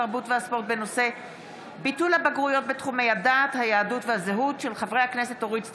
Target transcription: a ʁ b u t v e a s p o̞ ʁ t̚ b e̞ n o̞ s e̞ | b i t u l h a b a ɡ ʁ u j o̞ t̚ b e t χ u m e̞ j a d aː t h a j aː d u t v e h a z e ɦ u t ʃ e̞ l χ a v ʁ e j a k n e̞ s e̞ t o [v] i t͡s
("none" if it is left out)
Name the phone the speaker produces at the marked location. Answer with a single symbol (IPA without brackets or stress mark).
ʁ